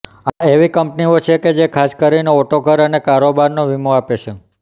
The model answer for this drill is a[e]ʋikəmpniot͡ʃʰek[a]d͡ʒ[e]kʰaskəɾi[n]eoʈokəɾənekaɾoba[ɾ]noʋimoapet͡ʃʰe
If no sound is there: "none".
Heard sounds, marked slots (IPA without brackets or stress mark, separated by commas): e, e, e, n, ɾ